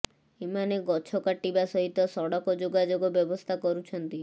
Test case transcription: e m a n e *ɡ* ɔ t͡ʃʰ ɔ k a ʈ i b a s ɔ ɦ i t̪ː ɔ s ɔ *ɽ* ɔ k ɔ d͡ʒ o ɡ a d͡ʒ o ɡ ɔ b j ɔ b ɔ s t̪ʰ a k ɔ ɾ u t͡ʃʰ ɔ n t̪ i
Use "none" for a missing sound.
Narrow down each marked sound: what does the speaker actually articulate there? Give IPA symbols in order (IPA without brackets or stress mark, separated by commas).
ɡ, ɽ